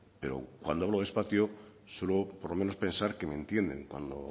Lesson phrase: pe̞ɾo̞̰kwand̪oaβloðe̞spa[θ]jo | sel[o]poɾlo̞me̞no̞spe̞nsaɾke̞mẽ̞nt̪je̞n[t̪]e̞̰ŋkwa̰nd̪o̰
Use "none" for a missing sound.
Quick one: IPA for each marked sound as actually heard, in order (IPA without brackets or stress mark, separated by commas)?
θ, o, d̪